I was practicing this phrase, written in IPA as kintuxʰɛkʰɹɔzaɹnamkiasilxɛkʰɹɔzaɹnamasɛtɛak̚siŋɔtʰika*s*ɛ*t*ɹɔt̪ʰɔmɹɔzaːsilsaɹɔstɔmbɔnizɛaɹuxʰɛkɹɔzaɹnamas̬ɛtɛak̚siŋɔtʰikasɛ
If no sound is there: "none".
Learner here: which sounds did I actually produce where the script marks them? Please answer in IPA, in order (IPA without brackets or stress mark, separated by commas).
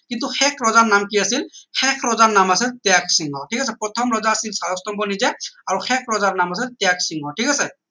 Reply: s, p